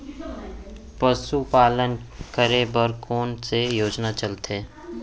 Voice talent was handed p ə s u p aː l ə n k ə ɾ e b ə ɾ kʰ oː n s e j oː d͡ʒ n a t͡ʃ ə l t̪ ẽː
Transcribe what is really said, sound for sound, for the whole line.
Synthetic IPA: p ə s u p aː l ə n k ə ɾ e b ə ɾ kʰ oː n s e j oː d͡ʒ n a t͡ʃ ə l t̪ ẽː